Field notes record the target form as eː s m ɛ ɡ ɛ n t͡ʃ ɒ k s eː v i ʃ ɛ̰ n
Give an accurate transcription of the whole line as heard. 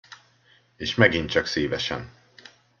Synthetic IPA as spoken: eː ʃ m ɛ ɡ i n t͡ʃ ɒ k s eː v ɛ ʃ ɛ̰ n